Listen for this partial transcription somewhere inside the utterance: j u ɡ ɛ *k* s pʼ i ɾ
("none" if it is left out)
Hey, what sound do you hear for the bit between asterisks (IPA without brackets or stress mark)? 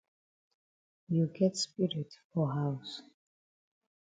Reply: t